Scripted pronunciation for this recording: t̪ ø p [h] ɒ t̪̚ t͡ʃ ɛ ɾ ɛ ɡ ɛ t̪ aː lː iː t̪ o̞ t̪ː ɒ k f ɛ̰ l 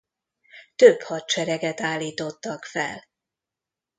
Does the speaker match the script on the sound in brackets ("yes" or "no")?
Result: yes